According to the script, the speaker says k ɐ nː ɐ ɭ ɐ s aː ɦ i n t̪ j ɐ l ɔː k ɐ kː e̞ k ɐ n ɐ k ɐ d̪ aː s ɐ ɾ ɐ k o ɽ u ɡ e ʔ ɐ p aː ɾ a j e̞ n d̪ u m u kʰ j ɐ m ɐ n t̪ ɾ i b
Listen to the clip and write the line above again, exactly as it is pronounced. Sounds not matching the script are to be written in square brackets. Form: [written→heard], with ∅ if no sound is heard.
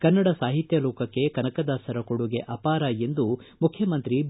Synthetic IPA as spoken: k ɐ nː ɐ [ɭ→ɽ] ɐ s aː ɦ i [n→∅] t̪ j ɐ l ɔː k ɐ kː e̞ k ɐ n ɐ k ɐ d̪ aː s ɐ ɾ ɐ k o ɽ u ɡ e ʔ ɐ p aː ɾ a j e̞ n d̪ u m u kʰ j ɐ m ɐ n t̪ ɾ i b

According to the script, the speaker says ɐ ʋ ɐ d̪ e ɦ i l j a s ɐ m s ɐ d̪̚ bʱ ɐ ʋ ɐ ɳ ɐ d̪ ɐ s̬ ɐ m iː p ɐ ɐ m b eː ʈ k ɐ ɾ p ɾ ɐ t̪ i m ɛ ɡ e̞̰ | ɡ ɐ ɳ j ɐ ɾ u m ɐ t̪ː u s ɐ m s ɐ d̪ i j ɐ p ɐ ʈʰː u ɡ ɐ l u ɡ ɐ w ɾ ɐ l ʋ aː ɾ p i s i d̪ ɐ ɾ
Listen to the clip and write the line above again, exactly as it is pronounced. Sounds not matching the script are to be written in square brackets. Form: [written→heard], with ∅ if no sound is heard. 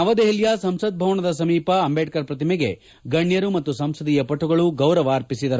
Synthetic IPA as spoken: ɐ ʋ ɐ d̪ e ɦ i l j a s ɐ m s ɐ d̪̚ bʱ ɐ ʋ ɐ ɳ ɐ d̪ ɐ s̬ ɐ m iː p ɐ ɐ m b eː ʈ k ɐ ɾ p ɾ ɐ t̪ i m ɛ ɡ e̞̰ | ɡ ɐ ɳ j ɐ ɾ u m ɐ t̪ː u s ɐ m s ɐ d̪ i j ɐ p ɐ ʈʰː u ɡ ɐ [l→ɭ] u ɡ ɐ w ɾ ɐ [l→∅] ʋ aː ɾ p i s i d̪ ɐ ɾ

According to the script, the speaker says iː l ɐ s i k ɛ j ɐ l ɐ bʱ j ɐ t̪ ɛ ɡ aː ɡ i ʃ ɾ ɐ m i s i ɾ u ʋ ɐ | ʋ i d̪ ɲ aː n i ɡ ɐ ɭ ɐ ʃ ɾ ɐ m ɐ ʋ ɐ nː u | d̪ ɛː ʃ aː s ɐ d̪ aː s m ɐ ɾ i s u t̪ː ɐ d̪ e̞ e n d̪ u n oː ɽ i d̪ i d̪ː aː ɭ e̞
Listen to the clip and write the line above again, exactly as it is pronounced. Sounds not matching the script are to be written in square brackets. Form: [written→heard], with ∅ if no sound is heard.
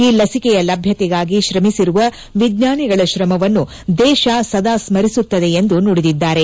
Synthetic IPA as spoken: iː l ɐ s i k ɛ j ɐ l ɐ bʱ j ɐ t̪ ɛ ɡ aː ɡ i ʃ ɾ ɐ m i s i ɾ u ʋ ɐ | ʋ i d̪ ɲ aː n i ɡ ɐ ɭ ɐ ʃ ɾ ɐ m ɐ ʋ ɐ nː u | d̪ ɛː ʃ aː s ɐ d̪ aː s m ɐ ɾ i s u t̪ː ɐ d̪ e̞ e n d̪ u n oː ɽ i d̪ i d̪ː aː [ɭ→ɾ] e̞

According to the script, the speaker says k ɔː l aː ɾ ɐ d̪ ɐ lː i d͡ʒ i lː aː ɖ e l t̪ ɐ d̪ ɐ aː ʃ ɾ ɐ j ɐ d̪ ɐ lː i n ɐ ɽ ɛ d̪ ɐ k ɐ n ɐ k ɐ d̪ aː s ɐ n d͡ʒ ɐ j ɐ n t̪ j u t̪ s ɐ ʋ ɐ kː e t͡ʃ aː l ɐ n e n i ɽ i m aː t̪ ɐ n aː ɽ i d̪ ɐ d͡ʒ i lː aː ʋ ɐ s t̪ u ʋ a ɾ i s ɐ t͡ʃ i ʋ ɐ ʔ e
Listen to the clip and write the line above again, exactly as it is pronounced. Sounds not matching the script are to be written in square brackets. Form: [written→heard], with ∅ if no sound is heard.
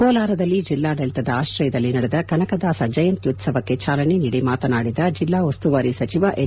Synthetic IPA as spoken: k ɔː l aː ɾ ɐ d̪ ɐ lː i d͡ʒ i lː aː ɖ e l t̪ ɐ d̪ ɐ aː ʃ ɾ ɐ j ɐ d̪ ɐ lː i n ɐ ɽ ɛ d̪ ɐ k ɐ n ɐ k ɐ d̪ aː s ɐ [n→∅] d͡ʒ ɐ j ɐ n t̪ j u t̪ s ɐ ʋ ɐ kː e t͡ʃ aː l ɐ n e n i ɽ i m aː t̪ ɐ n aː ɽ i d̪ ɐ d͡ʒ i lː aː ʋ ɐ s t̪ u ʋ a ɾ i s ɐ t͡ʃ i ʋ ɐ ʔ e

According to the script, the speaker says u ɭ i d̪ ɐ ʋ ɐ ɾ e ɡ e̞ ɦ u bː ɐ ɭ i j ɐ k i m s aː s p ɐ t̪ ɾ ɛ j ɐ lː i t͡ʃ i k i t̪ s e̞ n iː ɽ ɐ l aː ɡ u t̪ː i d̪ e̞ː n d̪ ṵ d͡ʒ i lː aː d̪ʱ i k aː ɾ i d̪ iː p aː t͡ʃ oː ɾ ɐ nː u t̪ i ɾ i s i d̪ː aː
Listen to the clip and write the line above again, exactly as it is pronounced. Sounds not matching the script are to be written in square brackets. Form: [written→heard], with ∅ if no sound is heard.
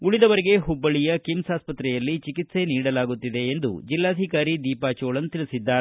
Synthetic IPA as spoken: u ɭ i d̪ ɐ ʋ ɐ ɾ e ɡ e̞ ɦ u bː ɐ ɭ i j ɐ k i m s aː s p ɐ t̪ ɾ ɛ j ɐ lː i t͡ʃ i k i t̪ s e̞ n iː ɽ ɐ l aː ɡ u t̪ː i d̪ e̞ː n d̪ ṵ d͡ʒ i lː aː d̪ʱ i k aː ɾ i d̪ iː p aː t͡ʃ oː [ɾ→ɭ] ɐ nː u t̪ i [ɾ→ɭ] i s i d̪ː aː

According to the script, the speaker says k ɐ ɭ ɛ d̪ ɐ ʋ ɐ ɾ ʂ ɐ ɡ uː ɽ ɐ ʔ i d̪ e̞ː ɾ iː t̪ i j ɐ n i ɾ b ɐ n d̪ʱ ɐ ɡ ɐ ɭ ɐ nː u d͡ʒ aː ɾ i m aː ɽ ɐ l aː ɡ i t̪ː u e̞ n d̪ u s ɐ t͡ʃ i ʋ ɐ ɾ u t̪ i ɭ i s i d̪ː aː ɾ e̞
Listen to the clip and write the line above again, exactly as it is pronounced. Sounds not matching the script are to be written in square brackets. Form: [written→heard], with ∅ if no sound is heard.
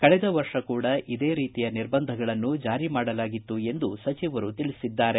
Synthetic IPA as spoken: k ɐ ɭ ɛ d̪ ɐ ʋ ɐ ɾ ʂ ɐ [ɡ→k] uː ɽ ɐ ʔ i d̪ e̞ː ɾ iː t̪ i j ɐ n i ɾ b ɐ n d̪ʱ ɐ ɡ ɐ ɭ ɐ nː u d͡ʒ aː ɾ i m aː ɽ ɐ l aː ɡ i t̪ː u e̞ n d̪ u s ɐ t͡ʃ i ʋ ɐ ɾ u t̪ i ɭ i s i d̪ː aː ɾ e̞

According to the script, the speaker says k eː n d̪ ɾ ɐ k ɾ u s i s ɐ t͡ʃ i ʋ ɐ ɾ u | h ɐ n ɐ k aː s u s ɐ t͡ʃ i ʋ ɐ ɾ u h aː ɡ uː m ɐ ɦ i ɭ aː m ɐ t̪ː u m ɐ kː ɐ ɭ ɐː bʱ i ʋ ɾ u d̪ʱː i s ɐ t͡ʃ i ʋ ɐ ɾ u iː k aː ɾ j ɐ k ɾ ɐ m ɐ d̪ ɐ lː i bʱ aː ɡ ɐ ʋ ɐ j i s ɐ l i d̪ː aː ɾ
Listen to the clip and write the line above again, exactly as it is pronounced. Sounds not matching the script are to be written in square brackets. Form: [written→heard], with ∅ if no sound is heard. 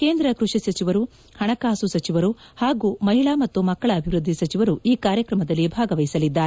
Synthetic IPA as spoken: k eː n d̪ ɾ ɐ k ɾ u [s→ʂ] i s ɐ t͡ʃ i ʋ ɐ ɾ u | h ɐ [n→ɳ] ɐ k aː s u s ɐ t͡ʃ i ʋ ɐ ɾ u h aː ɡ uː m ɐ ɦ i ɭ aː m ɐ t̪ː u m ɐ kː ɐ ɭ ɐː bʱ i ʋ ɾ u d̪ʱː i s ɐ t͡ʃ i ʋ ɐ ɾ u iː k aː ɾ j ɐ k ɾ ɐ m ɐ d̪ ɐ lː i bʱ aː ɡ ɐ ʋ ɐ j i s ɐ l i d̪ː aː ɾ

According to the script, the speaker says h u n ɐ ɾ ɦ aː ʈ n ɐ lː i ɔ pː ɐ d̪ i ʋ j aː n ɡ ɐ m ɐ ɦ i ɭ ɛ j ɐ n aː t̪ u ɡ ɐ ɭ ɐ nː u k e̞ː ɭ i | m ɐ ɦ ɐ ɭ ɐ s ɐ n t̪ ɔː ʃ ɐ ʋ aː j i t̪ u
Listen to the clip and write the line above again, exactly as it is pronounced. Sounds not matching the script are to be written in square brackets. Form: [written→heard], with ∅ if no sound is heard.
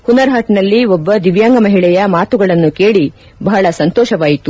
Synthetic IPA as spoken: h u n ɐ ɾ ɦ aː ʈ n ɐ lː i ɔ [pː→bː] ɐ d̪ i ʋ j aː [n→ŋ] ɡ ɐ m ɐ ɦ i ɭ ɛ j ɐ [n→m] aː t̪ u ɡ ɐ ɭ ɐ nː u k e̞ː ɭ i | [m→b] ɐ ɦ ɐ ɭ ɐ s ɐ n t̪ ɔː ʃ ɐ ʋ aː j i t̪ u

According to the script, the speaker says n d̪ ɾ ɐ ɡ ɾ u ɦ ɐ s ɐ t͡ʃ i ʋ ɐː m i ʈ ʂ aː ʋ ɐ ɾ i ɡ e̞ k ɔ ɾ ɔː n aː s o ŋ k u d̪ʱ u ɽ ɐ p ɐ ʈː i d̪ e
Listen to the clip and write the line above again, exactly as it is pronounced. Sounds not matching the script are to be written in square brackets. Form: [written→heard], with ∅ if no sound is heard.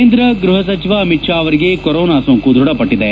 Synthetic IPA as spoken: n d̪ ɾ ɐ ɡ ɾ u ɦ ɐ s ɐ t͡ʃ i ʋ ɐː m i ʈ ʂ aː ʋ ɐ ɾ i ɡ e̞ k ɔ ɾ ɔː n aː s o ŋ k u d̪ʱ u ɽ ɐ p ɐ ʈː i d̪ e

